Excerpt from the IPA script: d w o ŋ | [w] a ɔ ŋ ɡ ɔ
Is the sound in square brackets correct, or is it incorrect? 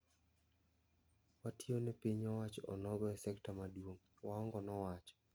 correct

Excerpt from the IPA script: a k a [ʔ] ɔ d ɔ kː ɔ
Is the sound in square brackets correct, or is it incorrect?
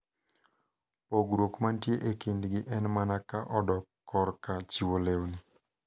correct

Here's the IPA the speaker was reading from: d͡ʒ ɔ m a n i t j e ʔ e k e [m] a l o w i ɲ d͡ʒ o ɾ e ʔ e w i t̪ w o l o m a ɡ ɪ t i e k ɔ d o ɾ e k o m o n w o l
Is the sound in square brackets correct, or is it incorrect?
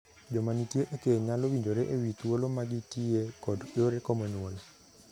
incorrect: ɲ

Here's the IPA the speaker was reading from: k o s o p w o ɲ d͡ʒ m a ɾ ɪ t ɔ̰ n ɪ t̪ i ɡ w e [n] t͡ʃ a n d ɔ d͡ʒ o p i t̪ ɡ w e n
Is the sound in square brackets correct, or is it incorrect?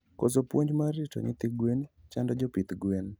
correct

